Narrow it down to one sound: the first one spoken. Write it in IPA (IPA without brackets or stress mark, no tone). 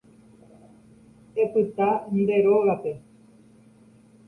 e̞